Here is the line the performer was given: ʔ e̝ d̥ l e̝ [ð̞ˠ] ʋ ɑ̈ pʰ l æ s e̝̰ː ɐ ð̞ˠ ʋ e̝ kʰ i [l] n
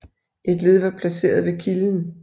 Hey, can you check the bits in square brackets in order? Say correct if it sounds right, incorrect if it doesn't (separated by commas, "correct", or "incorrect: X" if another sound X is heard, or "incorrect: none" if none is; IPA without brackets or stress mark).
correct, correct